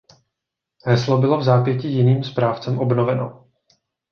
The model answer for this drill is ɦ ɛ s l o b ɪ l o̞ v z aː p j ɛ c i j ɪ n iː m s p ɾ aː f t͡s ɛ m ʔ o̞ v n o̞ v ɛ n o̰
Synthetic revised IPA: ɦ ɛ s l o b ɪ l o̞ v z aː p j ɛ c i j ɪ n iː m s p ɾ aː f t͡s ɛ m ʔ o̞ b n o̞ v ɛ n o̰